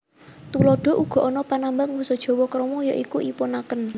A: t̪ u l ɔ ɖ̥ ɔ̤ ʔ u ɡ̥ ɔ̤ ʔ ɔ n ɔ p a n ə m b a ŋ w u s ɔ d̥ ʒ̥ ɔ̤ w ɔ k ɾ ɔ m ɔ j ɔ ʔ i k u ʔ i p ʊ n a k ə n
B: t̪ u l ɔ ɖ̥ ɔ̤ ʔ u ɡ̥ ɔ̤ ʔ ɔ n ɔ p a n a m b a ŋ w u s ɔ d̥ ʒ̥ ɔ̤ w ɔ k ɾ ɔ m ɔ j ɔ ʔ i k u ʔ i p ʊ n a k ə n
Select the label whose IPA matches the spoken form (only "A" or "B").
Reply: B